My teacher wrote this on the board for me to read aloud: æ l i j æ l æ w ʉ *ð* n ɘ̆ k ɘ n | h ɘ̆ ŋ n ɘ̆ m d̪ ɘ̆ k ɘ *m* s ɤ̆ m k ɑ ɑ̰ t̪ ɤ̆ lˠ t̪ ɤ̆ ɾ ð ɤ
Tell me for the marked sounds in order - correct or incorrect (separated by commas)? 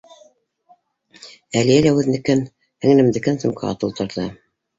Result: correct, incorrect